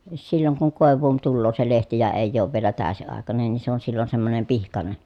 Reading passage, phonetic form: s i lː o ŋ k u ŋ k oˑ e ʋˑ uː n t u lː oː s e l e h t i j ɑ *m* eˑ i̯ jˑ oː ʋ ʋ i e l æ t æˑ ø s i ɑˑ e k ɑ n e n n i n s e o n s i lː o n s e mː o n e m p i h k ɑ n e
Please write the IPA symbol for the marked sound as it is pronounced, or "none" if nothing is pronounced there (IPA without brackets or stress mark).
none